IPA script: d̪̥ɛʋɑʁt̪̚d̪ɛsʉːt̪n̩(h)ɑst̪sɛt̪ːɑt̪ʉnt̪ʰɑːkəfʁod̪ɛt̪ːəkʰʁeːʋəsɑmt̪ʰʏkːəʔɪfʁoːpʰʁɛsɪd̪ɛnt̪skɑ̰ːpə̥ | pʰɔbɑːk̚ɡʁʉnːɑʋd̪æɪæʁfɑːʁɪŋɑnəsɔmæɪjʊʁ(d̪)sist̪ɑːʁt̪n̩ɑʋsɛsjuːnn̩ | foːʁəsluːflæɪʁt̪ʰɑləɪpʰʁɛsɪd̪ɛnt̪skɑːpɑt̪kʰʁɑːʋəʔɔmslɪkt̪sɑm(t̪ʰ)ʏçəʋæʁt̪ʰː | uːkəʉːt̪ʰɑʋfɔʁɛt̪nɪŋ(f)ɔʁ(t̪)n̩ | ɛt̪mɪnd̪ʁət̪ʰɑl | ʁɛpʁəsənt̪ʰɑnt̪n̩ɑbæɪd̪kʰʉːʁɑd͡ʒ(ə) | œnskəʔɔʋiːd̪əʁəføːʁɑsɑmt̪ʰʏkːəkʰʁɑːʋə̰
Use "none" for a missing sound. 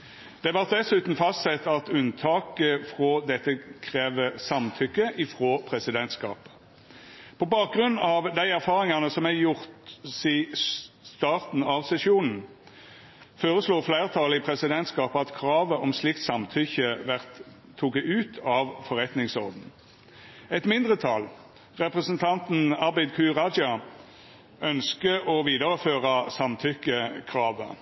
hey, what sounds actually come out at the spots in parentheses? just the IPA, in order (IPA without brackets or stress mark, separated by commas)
f, t̪, t̪ʰ, s, d̪, ɑ